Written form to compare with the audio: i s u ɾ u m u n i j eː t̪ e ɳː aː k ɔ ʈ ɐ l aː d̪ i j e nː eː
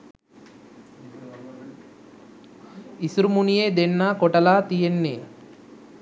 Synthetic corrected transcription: i s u ɾ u m u n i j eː d̪ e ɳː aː k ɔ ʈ ɐ l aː t̪ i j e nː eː